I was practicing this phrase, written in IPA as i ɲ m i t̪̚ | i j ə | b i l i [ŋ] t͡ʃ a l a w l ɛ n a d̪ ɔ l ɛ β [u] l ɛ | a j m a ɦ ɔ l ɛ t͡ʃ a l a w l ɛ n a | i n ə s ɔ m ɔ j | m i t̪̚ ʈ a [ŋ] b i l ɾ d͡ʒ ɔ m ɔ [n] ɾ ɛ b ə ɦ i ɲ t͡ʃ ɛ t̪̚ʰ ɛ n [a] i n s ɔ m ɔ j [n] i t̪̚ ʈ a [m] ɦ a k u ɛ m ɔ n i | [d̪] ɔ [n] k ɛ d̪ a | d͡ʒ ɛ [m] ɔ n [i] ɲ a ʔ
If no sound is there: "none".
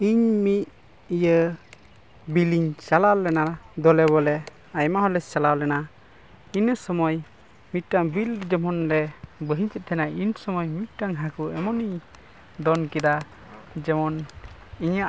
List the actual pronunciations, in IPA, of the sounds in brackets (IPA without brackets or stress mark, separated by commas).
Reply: ɲ, ɔ, ŋ, n, a, m, ŋ, d̪, n, m, i